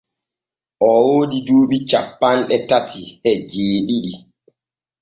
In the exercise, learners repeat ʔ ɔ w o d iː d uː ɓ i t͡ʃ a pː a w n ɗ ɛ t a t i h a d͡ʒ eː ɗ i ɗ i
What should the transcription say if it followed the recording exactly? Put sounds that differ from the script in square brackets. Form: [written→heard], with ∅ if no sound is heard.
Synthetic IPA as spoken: ʔ ɔ w o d [iː→i] d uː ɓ i t͡ʃ a pː a [w→∅] n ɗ ɛ t a t i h [a→ɛ] d͡ʒ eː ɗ i ɗ i

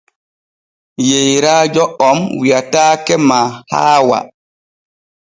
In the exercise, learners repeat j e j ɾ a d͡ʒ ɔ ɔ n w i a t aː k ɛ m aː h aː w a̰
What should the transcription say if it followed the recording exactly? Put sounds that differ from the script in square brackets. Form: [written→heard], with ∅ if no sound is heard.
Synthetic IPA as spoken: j e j ɾ a d͡ʒ ɔ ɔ [n→m] w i a t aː k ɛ m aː h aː w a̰

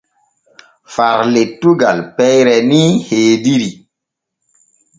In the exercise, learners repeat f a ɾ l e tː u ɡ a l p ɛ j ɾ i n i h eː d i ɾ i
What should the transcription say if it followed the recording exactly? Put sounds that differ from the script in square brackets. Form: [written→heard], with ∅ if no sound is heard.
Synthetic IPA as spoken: f a ɾ l e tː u ɡ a l p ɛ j ɾ [i→ɛ] n i h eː d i ɾ i

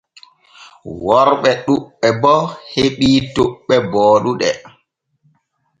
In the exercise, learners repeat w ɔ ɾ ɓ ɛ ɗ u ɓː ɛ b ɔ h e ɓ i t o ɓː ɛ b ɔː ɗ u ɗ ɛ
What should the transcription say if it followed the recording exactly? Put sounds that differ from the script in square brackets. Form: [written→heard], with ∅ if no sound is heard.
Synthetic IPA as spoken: w ɔ ɾ ɓ ɛ ɗ u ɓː ɛ b ɔ h e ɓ i t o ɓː ɛ b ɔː ɗ u ɗ ɛ

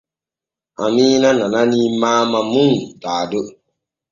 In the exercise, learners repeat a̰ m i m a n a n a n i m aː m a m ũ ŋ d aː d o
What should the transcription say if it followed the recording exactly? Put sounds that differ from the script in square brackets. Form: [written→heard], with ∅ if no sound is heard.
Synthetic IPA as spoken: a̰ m i [m→n] a n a n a n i m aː m a m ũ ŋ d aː d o

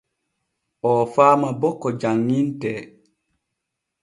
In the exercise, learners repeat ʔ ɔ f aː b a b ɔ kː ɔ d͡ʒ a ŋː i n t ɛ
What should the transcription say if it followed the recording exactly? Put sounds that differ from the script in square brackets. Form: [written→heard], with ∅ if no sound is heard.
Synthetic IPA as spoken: ʔ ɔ f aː [b→m] a b ɔ kː ɔ d͡ʒ a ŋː i n t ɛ

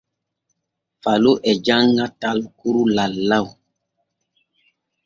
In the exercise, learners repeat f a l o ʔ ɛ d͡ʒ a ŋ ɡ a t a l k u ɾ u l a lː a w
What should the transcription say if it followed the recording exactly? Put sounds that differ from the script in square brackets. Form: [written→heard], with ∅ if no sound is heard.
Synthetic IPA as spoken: f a l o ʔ ɛ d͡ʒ a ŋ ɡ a t a l k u ɾ u l a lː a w

